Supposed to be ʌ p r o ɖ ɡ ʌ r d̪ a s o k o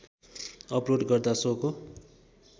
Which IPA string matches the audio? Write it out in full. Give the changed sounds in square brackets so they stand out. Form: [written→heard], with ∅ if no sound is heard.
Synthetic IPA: ʌ p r o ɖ ɡ ʌ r d̪ a s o k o